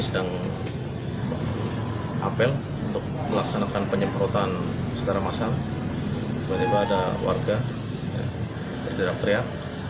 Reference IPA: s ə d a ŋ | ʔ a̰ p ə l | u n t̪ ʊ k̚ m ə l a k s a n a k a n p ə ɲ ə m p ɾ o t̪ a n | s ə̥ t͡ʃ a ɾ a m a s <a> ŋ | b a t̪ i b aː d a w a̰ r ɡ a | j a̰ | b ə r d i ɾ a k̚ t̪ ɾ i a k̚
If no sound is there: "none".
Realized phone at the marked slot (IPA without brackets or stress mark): a